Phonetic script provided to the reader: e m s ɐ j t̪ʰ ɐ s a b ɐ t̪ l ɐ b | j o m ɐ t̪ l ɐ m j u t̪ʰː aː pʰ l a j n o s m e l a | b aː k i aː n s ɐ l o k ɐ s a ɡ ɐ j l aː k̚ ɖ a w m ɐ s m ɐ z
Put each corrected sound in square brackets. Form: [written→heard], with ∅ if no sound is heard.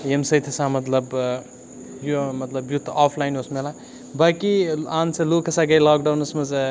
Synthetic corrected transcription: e m s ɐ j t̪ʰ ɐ s a [b→m] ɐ t̪ l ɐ b | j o m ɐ t̪ l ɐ [m→b] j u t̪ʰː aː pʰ l a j n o s m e l a | b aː k i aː n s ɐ l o k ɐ s a ɡ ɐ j l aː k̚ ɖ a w [m→n] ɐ s m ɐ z